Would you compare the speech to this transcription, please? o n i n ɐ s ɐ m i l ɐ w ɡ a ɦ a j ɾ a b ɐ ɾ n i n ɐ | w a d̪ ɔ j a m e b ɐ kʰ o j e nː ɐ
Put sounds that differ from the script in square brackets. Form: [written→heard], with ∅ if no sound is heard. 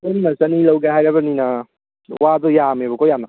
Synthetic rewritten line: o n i n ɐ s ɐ [m→n] i l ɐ w ɡ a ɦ a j ɾ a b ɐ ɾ n i n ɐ | w a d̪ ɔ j a m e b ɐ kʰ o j [e→a] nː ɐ